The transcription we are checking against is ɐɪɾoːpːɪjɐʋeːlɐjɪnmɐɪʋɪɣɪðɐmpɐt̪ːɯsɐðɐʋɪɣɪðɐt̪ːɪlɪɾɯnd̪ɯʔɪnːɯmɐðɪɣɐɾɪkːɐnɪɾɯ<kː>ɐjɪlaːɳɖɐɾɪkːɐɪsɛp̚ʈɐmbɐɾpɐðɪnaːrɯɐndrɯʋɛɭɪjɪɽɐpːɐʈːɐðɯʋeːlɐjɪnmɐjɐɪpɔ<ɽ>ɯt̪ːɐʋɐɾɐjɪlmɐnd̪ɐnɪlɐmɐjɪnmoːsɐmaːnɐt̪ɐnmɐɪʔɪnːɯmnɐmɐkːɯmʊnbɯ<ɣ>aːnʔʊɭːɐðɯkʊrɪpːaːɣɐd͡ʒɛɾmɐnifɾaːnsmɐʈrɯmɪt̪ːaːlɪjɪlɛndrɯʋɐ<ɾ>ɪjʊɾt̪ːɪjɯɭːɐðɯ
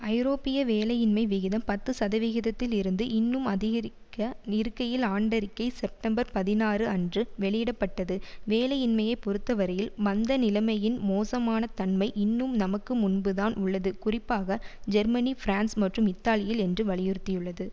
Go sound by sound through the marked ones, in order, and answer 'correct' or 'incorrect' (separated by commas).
correct, incorrect, incorrect, incorrect